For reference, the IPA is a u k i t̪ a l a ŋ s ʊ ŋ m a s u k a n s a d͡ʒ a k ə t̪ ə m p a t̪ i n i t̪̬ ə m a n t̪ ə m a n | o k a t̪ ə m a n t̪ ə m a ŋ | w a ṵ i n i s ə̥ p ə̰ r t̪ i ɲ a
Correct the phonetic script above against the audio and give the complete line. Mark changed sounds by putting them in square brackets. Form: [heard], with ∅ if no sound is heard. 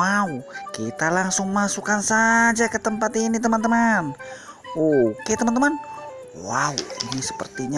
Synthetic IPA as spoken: a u k i t̪ a l a ŋ s ʊ ŋ m a s u k a n s a d͡ʒ a k ə t̪ ə m p a t̪ i n i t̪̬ ə m a n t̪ ə m a n | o k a t̪ ə m a n t̪ ə m a [n] | w a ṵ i n i s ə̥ p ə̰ r t̪ i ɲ a

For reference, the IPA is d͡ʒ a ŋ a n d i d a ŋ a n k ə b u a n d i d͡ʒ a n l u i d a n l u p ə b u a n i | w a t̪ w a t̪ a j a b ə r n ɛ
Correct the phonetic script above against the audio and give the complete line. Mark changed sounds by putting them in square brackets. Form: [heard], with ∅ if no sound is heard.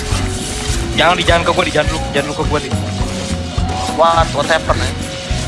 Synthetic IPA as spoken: d͡ʒ a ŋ a n d i [d͡ʒ] a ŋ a n k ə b u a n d i d͡ʒ a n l u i [d͡ʒ] a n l u [k] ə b u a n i | w a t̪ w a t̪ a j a [p] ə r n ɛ

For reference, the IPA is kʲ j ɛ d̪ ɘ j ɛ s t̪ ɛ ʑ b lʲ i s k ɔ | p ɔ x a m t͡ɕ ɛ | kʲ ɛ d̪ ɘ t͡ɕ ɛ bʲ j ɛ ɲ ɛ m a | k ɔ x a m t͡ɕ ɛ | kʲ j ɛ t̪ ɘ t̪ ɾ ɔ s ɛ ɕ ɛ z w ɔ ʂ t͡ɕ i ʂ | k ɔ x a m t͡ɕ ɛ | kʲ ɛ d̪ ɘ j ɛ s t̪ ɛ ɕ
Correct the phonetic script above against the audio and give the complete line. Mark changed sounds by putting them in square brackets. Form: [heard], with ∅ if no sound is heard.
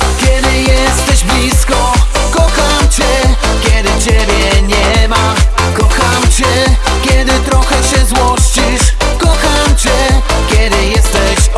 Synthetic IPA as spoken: kʲ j ɛ d̪ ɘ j ɛ s t̪ ɛ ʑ b lʲ i s k ɔ | [k] ɔ x a m t͡ɕ ɛ | kʲ ɛ d̪ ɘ t͡ɕ ɛ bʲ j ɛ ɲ ɛ m a | k ɔ x a m t͡ɕ ɛ | kʲ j ɛ [d̪] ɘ t̪ ɾ ɔ [x] ɛ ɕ ɛ z w ɔ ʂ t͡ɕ i ʂ | k ɔ x a m t͡ɕ ɛ | kʲ ɛ d̪ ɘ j ɛ s t̪ ɛ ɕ

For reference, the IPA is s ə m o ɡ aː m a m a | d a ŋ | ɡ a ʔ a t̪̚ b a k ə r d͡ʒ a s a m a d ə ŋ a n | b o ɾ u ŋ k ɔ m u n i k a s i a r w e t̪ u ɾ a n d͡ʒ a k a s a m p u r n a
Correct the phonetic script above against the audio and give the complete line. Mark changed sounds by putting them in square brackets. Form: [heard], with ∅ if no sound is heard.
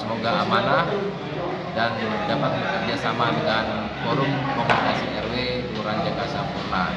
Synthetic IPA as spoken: s ə m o ɡ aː m a [n] a | d a [n] | [d] a [p] a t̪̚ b [ə] k ə r d͡ʒ a s a m a d ə ŋ a n | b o ɾ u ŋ k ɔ m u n i k a s i [ɛ] r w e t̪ u ɾ a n d͡ʒ a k a s a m p u r n a

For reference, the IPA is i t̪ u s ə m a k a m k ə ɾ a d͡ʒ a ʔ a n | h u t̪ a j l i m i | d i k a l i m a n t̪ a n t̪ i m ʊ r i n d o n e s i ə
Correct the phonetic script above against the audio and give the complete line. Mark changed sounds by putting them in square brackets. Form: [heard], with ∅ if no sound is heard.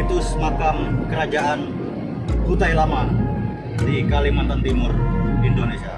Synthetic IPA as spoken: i t̪ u s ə m a k a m k ə ɾ a d͡ʒ a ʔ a n | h u t̪ a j l [a] m [a] | d i k a l i m a n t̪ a n t̪ i m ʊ r i n d o n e s i [a]

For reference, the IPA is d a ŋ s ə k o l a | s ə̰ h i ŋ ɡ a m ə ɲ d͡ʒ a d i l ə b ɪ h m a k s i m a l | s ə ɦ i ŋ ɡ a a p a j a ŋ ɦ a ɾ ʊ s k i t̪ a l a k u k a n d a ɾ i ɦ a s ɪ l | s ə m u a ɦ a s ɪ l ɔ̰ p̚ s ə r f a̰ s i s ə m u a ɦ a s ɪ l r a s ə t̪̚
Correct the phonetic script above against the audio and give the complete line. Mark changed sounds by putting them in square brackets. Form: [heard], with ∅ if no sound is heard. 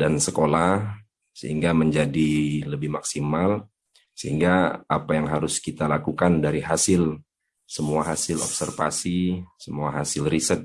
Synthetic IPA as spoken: d a [n] s ə k o l a | s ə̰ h i ŋ ɡ a m ə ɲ d͡ʒ a d i l ə b ɪ h m a k s i m a l | s ə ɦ i ŋ ɡ a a p a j a ŋ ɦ a ɾ ʊ s k i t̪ a l a k u k a n d a ɾ i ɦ a s ɪ l | s ə m u a ɦ a s ɪ l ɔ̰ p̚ s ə r f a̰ s i s ə m u a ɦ a s ɪ l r [i] s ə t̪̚

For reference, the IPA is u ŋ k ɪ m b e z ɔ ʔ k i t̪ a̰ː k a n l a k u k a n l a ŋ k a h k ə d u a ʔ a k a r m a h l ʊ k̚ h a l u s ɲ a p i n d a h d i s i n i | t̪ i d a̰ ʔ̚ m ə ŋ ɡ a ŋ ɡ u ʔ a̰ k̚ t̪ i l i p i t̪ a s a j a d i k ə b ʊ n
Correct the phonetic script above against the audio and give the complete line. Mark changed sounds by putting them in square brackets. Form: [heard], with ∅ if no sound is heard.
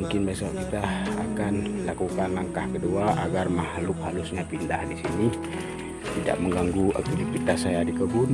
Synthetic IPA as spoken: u ŋ k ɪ [n] b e [s] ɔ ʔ k i t̪ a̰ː k a n l a k u k a n l a ŋ k a h k ə d u a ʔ a [ɡ] a r m a h l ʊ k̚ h a l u s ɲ a p i n d a h d i s i n i | t̪ i d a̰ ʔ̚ m ə ŋ ɡ a ŋ ɡ u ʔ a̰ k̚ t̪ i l i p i t̪ a s a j a d i k ə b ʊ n

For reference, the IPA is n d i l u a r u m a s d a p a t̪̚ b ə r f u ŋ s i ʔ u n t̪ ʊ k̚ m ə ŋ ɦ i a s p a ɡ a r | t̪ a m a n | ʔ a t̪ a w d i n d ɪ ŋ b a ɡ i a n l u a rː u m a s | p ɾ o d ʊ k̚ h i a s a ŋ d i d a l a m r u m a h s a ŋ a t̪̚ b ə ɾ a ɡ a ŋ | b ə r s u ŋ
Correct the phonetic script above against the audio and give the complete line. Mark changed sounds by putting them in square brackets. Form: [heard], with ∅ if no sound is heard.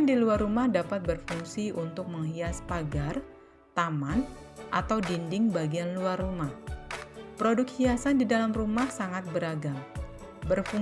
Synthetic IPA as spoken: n d i l u a r u m a [h] d a p a t̪̚ b ə r f u ŋ s i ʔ u n t̪ ʊ k̚ m ə ŋ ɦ i a s p a ɡ a r | t̪ a m a n | ʔ a t̪ a w d i n d ɪ ŋ b a ɡ i a n l u a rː u m a [h] | p ɾ o d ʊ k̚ h i a s a [n] d i d a l a m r u m a h s a ŋ a t̪̚ b ə ɾ a ɡ a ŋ | b ə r [f] u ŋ

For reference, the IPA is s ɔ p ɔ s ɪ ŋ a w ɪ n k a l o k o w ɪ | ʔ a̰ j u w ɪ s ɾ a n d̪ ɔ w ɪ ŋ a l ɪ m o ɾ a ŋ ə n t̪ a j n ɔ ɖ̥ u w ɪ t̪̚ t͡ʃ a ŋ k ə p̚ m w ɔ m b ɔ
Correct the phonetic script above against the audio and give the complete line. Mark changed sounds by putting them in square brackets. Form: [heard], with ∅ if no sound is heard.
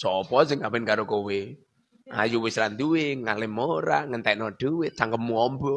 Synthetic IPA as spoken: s ɔ p ɔ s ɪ ŋ a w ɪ n k a [ɾ] o k o w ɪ | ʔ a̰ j u w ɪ s ɾ a n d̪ [u] w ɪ ŋ a l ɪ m o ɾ a ŋ ə n t̪ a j n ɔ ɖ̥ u w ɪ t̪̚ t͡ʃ a ŋ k ə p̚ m [u] ɔ m b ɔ

